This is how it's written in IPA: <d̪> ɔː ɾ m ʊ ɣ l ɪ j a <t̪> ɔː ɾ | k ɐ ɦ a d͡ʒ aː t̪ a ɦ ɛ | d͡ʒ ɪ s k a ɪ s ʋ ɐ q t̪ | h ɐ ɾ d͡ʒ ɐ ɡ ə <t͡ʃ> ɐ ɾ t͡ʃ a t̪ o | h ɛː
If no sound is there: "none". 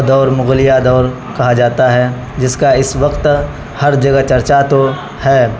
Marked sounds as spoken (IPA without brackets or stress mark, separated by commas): d̪, d̪, t͡ʃ